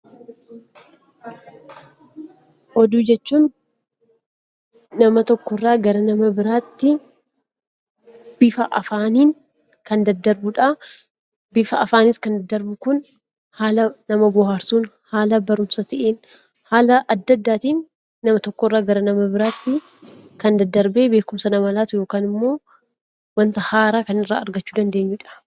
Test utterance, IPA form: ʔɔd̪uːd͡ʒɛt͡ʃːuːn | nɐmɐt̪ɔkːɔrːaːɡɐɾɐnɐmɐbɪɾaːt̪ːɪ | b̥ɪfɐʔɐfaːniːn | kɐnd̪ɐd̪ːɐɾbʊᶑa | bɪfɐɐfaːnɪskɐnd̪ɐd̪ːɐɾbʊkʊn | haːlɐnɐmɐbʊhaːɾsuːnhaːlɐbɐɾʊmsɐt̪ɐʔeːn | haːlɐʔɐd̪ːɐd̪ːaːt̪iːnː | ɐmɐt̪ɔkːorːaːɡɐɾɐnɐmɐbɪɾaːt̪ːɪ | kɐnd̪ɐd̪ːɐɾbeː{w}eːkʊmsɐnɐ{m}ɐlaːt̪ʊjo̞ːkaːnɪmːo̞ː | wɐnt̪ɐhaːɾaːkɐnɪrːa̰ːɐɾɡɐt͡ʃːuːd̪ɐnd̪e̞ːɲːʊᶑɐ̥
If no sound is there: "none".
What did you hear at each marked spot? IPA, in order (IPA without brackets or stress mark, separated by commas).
b, m